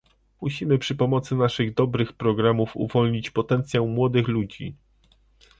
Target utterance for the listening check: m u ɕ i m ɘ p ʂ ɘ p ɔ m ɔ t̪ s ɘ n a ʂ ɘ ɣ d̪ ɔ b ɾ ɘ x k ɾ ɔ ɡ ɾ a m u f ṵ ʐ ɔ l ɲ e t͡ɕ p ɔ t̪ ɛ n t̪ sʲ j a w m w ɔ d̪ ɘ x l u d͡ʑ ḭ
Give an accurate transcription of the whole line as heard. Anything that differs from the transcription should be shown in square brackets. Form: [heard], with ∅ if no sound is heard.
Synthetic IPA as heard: m u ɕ i m ɘ p ʂ ɘ p ɔ m ɔ t̪ s ɘ n a ʂ ɘ ɣ d̪ ɔ b ɾ ɘ x [p] ɾ ɔ ɡ ɾ a m u f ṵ [v] ɔ l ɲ [i] t͡ɕ p ɔ t̪ ɛ n t̪ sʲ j a w m w ɔ d̪ ɘ x l u d͡ʑ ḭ